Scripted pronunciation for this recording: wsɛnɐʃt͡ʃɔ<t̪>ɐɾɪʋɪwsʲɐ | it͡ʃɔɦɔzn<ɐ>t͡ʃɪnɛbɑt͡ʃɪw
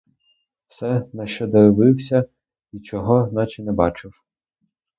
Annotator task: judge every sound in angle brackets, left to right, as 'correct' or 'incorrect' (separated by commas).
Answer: incorrect, incorrect